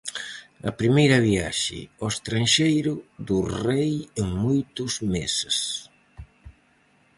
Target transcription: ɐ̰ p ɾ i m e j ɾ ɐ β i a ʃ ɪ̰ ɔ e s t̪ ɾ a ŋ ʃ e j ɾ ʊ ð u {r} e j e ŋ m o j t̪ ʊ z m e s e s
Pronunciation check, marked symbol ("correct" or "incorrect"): correct